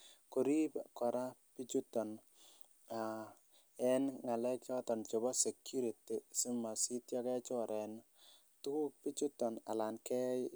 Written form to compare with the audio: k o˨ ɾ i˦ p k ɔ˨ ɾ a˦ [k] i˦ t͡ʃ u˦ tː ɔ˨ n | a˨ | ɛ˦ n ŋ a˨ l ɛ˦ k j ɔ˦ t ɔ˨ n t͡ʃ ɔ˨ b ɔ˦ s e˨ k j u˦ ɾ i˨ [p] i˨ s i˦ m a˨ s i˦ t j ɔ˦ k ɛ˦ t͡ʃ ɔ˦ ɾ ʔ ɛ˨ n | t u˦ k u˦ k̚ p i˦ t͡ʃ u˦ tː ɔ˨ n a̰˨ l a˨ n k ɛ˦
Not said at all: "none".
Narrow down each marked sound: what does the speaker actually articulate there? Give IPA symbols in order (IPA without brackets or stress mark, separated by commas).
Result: p, t